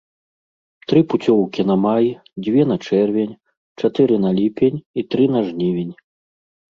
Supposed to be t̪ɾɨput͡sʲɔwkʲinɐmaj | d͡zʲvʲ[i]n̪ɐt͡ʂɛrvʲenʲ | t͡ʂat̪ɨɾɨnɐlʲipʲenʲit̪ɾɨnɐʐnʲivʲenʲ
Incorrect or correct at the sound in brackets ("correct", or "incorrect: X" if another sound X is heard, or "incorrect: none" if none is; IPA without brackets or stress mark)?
incorrect: ɛ